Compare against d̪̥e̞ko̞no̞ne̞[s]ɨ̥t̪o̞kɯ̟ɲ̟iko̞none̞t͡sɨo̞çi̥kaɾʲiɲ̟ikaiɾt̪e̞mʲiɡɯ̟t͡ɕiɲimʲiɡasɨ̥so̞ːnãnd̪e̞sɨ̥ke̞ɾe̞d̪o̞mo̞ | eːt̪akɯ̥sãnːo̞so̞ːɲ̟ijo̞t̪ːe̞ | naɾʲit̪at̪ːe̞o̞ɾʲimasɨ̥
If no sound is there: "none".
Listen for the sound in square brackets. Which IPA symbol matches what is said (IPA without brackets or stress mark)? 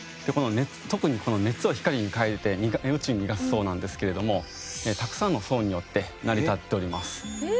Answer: t͡s